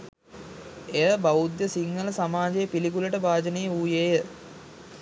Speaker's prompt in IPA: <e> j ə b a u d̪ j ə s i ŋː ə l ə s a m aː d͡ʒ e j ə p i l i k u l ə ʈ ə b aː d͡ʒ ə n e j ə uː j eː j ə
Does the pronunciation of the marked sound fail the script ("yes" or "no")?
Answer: no